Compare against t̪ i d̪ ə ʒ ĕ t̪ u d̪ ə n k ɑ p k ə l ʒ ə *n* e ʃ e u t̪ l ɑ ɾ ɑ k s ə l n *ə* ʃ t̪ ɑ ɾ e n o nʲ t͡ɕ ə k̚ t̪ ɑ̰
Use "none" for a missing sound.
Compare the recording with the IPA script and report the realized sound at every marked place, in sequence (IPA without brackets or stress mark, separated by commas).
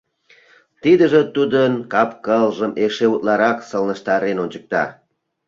m, ə